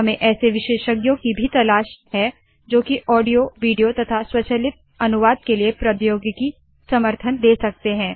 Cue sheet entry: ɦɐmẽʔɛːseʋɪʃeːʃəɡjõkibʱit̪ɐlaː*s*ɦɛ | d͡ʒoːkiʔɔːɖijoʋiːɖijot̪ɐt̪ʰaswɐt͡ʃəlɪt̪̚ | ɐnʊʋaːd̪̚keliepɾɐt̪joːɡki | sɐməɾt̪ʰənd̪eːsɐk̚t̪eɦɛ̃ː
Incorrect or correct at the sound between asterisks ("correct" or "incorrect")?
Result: incorrect